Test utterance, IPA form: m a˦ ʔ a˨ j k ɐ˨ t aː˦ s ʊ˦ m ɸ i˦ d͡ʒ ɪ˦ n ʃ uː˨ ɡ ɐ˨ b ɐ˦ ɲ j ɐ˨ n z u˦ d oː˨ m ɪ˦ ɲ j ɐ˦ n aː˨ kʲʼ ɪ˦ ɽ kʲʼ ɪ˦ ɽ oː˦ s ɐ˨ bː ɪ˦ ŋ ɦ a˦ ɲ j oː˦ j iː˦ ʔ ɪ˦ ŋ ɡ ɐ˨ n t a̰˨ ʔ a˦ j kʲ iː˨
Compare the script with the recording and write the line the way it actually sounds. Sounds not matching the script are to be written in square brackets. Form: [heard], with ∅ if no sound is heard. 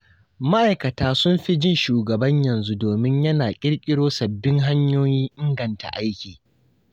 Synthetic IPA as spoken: m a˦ ʔ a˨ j k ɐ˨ t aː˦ s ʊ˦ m ɸ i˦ d͡ʒ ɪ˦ n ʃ uː˨ ɡ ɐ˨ b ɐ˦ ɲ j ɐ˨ n z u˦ d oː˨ m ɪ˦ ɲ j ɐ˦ n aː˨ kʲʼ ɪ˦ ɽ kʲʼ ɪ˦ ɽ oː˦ s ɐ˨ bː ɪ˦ ŋ ɦ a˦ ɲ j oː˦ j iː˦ ʔ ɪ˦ ŋ ɡ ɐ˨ n t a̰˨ ʔ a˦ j kʲ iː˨